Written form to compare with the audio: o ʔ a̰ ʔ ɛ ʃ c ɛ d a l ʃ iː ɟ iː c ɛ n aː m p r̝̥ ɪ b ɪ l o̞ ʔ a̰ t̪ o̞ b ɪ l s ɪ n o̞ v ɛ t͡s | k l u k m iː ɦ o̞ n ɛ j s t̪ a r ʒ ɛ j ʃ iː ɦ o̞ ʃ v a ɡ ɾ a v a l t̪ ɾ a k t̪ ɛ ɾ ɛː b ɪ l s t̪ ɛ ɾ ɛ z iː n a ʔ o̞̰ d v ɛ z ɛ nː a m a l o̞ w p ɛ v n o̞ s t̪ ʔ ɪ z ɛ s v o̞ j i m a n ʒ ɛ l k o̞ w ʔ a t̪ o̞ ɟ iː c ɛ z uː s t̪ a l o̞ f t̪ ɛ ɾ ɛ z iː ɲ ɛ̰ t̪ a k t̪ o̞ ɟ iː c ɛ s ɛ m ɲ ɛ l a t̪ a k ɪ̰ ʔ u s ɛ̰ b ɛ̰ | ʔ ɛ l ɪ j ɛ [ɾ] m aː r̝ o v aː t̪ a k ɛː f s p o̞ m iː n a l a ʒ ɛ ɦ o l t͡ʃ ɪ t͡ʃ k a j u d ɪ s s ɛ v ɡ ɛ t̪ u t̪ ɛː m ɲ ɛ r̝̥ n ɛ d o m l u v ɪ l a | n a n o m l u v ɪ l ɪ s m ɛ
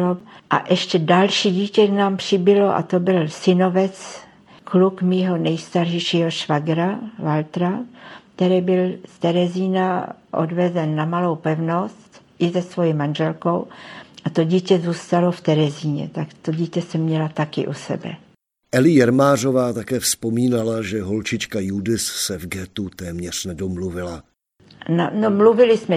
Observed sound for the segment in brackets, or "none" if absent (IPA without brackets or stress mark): ɾ